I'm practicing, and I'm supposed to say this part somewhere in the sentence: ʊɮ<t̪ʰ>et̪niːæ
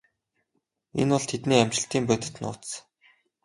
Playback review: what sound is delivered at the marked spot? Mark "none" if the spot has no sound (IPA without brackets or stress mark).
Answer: t̪ʰ